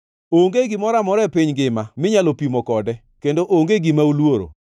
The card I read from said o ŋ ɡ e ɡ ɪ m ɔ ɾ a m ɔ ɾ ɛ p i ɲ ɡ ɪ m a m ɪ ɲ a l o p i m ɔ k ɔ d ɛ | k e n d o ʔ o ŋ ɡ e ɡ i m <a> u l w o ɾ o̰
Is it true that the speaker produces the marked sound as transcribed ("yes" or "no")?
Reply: yes